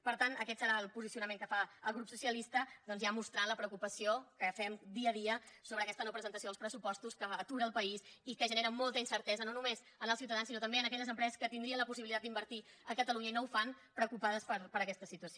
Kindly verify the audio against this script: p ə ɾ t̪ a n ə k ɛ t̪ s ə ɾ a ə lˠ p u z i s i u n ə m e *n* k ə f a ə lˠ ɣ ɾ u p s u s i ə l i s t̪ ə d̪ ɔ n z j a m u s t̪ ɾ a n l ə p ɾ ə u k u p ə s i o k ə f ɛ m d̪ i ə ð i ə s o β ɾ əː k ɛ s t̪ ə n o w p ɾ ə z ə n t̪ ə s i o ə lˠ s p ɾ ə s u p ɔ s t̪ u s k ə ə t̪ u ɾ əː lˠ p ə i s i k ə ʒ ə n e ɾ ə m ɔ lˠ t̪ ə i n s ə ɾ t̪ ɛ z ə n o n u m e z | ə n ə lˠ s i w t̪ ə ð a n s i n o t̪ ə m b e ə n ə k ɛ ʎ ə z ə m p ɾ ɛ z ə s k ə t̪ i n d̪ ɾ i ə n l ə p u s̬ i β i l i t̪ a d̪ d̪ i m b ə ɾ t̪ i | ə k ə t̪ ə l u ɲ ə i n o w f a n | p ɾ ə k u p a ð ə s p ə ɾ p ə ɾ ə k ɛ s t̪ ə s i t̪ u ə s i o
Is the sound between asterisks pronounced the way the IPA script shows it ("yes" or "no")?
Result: no